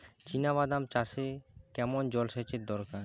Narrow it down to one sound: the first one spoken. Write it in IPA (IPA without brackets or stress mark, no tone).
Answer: t͡ʃ